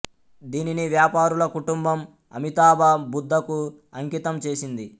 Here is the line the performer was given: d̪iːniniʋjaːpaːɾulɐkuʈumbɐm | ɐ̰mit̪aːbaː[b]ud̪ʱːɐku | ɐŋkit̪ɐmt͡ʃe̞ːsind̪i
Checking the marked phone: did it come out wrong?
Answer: no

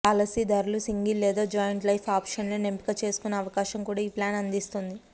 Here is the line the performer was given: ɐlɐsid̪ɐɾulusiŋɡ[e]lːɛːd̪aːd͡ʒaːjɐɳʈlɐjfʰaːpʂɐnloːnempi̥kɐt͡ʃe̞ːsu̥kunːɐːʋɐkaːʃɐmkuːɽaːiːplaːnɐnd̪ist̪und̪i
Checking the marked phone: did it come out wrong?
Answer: yes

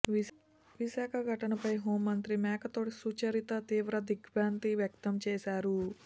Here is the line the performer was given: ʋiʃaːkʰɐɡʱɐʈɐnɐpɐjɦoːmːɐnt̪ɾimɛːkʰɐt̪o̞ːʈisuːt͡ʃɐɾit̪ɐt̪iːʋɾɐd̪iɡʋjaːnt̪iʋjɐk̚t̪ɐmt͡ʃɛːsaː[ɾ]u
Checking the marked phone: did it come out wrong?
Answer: no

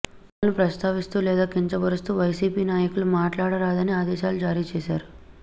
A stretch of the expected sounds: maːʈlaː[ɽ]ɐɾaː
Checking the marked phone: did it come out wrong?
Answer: no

